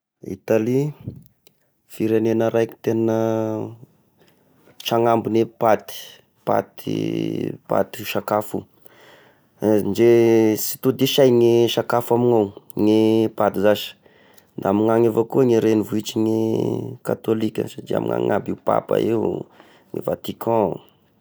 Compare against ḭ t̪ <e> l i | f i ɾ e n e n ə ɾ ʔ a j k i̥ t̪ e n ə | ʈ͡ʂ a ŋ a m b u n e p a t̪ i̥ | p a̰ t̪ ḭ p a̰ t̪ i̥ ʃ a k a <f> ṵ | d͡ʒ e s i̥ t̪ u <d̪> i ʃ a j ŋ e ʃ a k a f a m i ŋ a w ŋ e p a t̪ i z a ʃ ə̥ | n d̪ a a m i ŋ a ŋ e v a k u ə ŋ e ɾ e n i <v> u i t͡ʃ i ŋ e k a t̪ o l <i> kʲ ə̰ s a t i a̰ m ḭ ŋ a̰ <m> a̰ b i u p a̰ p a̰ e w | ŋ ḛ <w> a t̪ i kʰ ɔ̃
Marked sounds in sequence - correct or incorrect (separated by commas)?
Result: incorrect, correct, correct, correct, correct, incorrect, incorrect